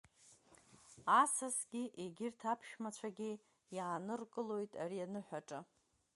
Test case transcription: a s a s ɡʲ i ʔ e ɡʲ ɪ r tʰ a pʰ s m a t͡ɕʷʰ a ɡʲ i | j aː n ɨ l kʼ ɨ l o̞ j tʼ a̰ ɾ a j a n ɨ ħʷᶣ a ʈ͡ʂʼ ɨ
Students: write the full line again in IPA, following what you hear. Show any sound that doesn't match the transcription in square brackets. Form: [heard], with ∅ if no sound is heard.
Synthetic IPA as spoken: a s a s ɡʲ i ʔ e ɡʲ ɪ r tʰ a pʰ [ʃ] m a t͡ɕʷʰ a ɡʲ i | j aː n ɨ [r] kʼ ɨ l o̞ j tʼ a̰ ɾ [i] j a n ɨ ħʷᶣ a ʈ͡ʂʼ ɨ